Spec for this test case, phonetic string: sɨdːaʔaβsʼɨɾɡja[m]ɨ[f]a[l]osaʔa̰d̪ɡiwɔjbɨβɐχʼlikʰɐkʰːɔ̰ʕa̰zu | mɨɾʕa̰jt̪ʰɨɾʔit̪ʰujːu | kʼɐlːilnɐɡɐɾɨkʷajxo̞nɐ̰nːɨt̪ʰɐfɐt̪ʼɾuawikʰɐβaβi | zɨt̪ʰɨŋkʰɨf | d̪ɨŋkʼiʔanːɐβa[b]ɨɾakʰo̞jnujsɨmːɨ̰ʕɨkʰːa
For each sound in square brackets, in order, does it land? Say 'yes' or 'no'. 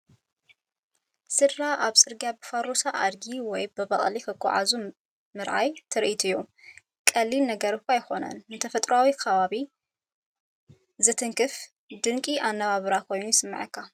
no, yes, no, no

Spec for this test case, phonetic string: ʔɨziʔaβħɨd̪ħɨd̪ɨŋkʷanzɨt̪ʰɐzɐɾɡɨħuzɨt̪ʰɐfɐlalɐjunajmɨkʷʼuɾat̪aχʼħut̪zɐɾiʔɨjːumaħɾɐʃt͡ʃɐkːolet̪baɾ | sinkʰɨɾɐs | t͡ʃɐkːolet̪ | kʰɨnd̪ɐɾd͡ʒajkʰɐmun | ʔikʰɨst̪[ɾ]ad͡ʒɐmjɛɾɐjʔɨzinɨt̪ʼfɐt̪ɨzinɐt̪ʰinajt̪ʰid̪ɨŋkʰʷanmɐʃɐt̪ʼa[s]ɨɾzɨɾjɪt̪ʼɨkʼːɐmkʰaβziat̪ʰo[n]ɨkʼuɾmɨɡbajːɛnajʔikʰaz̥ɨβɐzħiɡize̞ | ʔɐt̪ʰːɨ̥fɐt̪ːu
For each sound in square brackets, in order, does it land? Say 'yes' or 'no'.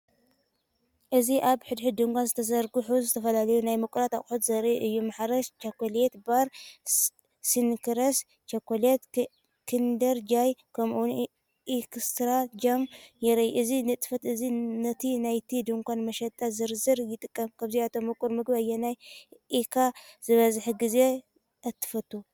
yes, no, no

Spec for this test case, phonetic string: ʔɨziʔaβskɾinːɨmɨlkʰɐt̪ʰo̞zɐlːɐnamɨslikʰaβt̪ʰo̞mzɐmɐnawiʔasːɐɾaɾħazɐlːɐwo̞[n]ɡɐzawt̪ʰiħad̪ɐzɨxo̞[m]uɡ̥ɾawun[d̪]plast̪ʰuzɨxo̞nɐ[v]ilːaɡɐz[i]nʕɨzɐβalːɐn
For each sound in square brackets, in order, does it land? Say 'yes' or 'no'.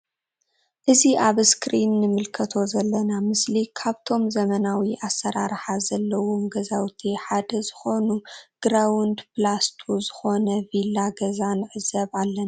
no, no, yes, yes, no

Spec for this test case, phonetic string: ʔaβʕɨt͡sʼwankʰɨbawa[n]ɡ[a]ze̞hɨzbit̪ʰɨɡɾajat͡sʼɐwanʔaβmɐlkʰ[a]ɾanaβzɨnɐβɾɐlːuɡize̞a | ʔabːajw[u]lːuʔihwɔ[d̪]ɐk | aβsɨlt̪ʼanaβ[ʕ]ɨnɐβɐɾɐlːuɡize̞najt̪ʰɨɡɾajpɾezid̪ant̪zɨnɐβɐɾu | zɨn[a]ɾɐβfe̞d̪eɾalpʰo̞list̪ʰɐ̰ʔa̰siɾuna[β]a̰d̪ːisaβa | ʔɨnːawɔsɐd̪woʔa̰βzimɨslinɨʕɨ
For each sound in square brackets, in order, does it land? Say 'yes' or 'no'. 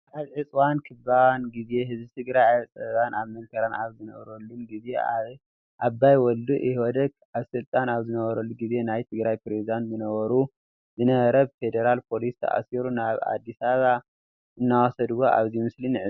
yes, no, no, no, yes, no, no, yes

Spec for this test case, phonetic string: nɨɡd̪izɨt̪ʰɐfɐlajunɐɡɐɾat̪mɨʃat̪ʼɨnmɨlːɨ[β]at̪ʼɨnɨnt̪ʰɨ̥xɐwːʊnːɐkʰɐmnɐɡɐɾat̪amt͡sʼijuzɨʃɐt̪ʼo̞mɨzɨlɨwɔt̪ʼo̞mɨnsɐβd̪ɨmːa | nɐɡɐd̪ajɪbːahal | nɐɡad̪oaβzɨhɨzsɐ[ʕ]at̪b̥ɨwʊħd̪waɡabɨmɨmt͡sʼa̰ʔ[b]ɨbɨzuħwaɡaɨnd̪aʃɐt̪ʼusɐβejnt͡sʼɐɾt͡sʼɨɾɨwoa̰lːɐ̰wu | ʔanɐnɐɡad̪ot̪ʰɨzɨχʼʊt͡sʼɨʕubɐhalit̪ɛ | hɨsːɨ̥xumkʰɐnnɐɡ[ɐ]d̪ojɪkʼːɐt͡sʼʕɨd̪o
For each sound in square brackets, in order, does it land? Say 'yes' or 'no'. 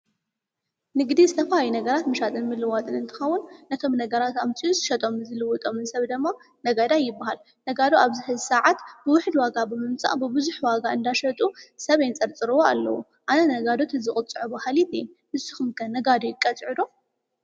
no, yes, yes, no

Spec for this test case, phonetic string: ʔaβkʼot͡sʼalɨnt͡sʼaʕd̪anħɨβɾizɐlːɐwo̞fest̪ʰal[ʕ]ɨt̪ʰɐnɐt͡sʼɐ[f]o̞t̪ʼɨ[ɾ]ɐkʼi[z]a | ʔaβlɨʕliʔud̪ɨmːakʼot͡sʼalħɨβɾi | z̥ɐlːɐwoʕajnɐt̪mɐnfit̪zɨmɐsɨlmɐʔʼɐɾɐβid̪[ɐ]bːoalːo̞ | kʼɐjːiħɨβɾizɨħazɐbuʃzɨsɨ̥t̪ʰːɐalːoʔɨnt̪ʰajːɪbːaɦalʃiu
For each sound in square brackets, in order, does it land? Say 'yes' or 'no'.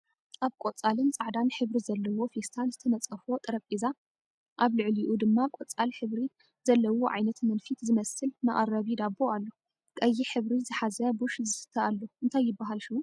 no, yes, yes, yes, no

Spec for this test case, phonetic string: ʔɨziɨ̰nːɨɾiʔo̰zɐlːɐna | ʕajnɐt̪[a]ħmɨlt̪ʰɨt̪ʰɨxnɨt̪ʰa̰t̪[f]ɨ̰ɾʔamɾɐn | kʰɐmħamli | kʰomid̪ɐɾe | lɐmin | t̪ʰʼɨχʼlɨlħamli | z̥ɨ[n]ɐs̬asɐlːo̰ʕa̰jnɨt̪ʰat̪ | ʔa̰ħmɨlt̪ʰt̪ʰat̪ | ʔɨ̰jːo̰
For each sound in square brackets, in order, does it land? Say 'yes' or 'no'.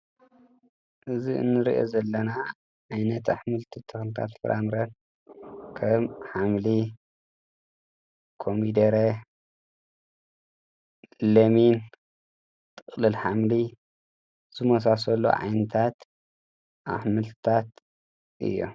yes, yes, no

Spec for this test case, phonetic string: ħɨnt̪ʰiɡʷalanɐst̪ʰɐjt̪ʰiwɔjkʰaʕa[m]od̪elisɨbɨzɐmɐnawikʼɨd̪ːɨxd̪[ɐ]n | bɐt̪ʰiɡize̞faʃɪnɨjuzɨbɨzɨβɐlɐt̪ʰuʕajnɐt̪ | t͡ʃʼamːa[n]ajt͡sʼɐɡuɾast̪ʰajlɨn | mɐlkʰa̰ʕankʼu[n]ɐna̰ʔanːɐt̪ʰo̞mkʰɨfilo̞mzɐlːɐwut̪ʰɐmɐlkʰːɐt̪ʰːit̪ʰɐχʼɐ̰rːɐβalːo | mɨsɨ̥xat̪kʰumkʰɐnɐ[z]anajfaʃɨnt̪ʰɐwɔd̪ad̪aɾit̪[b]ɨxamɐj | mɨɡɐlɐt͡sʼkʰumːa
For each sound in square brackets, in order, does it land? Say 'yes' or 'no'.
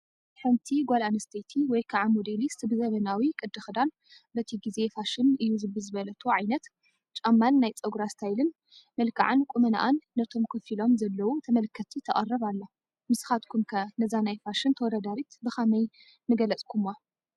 yes, no, no, no, yes, yes

